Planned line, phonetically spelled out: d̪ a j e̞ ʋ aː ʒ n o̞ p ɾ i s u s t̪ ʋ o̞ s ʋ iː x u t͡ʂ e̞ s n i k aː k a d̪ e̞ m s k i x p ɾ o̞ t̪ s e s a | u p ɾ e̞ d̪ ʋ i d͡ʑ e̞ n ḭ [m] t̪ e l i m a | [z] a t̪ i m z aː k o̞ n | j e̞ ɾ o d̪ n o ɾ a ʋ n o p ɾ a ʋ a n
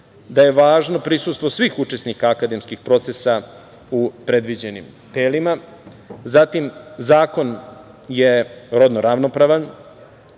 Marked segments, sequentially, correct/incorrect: correct, correct

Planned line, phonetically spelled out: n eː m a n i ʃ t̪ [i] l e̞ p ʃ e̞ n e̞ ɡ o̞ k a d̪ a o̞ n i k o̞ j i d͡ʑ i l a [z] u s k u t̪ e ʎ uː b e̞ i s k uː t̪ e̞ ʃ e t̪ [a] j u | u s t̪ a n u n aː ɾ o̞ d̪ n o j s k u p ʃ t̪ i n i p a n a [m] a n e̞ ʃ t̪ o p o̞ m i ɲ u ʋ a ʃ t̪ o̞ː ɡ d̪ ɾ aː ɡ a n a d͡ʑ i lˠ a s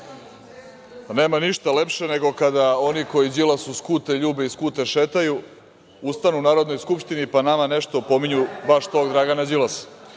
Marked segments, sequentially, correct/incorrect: incorrect: a, incorrect: s, correct, correct

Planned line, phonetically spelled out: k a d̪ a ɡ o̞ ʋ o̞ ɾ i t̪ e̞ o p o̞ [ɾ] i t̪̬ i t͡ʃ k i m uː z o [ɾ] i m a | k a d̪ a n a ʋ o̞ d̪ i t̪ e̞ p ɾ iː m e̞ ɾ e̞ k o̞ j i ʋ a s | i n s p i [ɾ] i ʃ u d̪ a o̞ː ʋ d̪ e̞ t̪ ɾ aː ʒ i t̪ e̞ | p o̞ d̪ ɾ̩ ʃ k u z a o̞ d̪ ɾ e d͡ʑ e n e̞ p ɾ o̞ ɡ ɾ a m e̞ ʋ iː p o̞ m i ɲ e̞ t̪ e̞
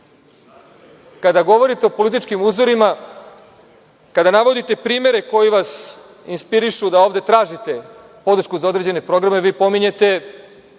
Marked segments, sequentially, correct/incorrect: incorrect: l, correct, correct

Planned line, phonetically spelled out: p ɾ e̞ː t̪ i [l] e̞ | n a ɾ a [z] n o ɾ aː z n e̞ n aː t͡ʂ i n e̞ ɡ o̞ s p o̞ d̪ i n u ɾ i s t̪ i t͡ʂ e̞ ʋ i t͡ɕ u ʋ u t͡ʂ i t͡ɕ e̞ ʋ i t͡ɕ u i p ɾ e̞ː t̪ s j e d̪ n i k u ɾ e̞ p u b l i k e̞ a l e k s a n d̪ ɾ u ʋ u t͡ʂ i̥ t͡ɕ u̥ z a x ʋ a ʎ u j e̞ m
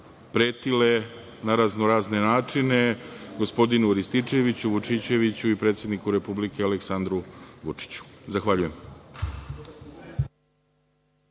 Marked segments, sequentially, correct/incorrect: correct, correct

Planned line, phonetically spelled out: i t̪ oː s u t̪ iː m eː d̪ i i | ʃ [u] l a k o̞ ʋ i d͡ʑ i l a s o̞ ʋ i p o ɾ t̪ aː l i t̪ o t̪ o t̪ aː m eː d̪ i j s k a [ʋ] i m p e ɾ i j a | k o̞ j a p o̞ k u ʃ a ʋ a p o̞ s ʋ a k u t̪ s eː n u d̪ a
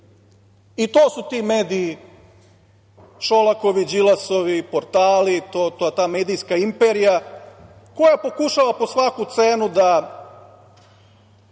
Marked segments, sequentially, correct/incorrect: incorrect: o, incorrect: none

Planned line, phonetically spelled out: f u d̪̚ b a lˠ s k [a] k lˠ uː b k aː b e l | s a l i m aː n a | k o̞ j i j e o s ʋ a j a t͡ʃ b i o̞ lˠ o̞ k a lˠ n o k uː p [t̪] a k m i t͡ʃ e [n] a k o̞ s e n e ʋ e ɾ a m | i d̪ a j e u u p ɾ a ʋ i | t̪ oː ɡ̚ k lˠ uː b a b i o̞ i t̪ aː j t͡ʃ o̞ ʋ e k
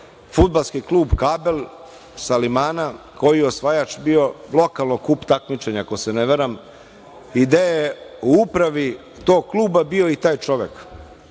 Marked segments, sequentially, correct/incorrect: incorrect: i, correct, incorrect: ɲ

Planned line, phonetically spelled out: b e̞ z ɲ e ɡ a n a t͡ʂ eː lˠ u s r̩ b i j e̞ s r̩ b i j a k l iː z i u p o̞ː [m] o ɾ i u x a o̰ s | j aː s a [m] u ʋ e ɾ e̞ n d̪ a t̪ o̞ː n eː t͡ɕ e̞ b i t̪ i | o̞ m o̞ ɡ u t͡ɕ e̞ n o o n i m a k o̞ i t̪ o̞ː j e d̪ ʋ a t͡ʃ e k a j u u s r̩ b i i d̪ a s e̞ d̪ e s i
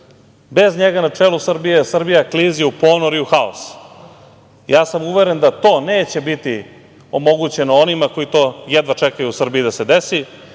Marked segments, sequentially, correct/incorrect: incorrect: n, correct

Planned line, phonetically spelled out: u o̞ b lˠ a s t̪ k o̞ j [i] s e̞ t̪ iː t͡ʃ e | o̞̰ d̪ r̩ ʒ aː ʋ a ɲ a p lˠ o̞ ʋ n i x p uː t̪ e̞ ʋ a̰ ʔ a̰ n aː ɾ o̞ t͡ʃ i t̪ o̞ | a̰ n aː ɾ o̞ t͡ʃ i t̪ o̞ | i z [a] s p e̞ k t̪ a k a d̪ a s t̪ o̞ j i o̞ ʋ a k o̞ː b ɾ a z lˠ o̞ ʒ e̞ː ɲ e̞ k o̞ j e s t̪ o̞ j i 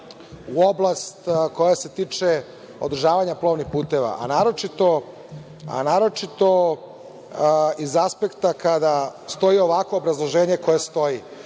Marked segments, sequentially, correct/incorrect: incorrect: a, correct

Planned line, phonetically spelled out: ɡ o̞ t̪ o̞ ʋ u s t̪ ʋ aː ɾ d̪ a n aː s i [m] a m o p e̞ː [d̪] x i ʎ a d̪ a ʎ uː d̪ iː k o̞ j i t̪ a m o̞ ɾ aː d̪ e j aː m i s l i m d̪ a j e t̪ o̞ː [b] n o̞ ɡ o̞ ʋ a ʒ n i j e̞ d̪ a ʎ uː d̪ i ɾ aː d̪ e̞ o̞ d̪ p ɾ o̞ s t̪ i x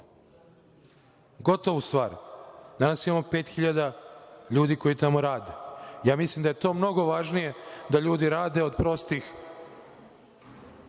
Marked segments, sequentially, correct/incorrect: correct, incorrect: t̪, incorrect: m

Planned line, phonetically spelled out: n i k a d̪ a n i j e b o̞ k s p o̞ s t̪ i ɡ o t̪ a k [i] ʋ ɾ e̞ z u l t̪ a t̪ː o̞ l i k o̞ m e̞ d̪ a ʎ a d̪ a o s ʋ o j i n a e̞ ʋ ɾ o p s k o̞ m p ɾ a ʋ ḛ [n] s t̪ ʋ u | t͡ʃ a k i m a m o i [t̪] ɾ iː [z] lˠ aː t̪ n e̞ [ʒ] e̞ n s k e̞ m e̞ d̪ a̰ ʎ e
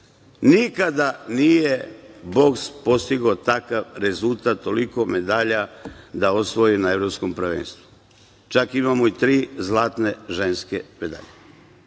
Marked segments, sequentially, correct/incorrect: incorrect: a, correct, correct, correct, correct

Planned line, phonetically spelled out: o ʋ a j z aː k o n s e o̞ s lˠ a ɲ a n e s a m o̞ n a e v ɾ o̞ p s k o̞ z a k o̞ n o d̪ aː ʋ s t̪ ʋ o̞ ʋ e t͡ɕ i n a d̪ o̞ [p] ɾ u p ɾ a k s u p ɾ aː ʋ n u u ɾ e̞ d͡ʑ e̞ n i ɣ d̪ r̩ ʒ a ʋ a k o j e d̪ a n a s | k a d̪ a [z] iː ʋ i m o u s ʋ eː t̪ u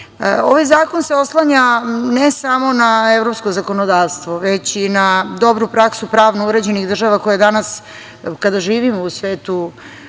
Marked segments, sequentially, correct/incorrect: incorrect: b, incorrect: ʒ

